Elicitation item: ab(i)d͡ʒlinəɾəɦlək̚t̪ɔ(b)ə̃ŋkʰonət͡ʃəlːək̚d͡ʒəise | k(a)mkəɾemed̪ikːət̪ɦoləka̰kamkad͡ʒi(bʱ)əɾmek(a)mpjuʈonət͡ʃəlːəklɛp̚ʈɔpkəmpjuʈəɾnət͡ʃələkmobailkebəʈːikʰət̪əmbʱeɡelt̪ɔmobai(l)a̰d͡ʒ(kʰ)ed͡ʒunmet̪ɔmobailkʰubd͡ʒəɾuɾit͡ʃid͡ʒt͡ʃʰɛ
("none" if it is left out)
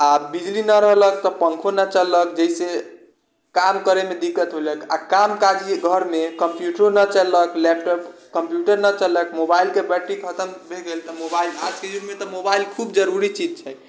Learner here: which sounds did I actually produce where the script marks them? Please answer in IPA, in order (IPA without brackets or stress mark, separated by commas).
i, p, a, ɡʱ, ə, l, k